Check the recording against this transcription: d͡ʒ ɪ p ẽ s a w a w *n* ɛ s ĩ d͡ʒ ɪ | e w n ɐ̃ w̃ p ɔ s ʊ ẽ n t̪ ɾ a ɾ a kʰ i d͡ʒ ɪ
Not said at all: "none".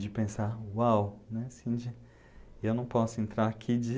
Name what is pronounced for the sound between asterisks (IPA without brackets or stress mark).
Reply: n